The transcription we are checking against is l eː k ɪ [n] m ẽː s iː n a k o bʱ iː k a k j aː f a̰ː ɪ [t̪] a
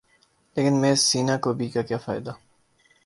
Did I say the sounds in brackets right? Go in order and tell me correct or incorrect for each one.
correct, incorrect

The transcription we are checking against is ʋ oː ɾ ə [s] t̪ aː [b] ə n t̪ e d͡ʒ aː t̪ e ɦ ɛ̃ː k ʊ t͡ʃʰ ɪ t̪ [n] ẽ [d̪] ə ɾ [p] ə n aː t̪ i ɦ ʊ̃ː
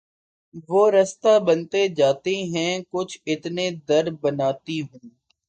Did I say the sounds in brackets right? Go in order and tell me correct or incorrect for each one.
correct, correct, correct, correct, incorrect

